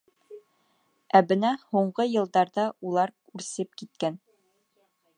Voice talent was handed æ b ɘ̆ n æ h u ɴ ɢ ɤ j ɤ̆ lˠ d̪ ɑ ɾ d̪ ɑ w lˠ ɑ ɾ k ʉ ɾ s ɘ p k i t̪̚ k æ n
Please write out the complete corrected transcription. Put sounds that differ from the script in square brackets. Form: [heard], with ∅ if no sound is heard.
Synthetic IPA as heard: æ b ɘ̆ n æ h u ɴ ɢ ɤ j ɤ̆ lˠ d̪ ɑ ɾ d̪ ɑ [u] lˠ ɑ ɾ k ʉ ɾ s ɘ p k i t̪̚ k æ n